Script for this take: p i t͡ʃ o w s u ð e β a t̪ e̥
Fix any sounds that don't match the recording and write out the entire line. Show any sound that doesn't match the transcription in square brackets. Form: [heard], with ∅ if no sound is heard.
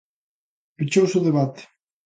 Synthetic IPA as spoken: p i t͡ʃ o w s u ð e β a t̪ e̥